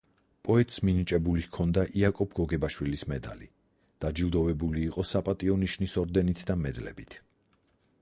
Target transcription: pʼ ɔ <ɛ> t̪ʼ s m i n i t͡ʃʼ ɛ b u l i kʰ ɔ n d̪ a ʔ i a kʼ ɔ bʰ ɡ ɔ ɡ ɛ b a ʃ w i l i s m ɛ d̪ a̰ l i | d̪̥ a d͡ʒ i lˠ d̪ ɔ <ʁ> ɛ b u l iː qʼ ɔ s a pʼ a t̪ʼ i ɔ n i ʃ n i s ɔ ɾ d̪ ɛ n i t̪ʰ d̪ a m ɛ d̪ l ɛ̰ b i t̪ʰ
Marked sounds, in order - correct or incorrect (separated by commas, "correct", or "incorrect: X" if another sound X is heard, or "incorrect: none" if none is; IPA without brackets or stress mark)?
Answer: correct, incorrect: v